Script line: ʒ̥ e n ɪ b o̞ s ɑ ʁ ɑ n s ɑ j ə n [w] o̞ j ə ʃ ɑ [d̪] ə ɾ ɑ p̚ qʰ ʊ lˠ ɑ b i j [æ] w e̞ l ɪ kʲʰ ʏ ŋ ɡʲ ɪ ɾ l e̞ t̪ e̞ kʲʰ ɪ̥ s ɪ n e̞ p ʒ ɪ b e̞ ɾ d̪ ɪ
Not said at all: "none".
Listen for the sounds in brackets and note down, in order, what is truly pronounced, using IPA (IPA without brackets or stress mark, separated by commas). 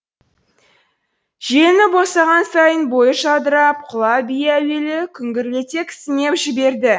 b, d̪, æ